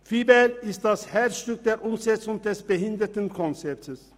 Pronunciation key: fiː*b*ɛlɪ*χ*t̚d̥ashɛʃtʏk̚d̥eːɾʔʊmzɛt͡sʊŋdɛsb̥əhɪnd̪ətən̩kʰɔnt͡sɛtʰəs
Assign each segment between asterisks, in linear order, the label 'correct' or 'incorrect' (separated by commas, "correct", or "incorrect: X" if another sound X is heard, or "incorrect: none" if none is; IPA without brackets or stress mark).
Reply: correct, incorrect: s